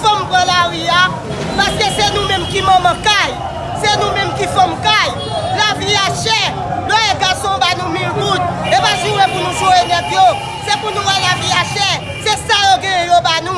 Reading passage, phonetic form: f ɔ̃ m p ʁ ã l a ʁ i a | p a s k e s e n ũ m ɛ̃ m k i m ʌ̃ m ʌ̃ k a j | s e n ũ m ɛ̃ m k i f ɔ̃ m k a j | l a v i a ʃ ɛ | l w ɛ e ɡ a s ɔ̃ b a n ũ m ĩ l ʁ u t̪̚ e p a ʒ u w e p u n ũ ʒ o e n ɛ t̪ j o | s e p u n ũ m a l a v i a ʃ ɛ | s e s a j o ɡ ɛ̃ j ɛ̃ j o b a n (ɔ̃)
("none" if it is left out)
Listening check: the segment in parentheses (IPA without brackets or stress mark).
ũ